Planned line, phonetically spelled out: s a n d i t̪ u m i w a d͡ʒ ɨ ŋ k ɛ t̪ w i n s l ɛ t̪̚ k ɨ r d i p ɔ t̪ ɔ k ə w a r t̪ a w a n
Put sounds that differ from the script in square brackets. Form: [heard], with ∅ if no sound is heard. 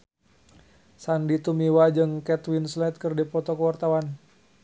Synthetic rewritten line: s a n d i t̪ u m i w a d͡ʒ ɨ ŋ k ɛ t̪ w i n s l ɛ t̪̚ k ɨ r d i p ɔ t̪ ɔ k ə w a r t̪ a w a n